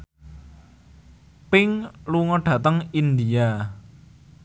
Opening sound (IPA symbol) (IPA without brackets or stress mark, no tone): p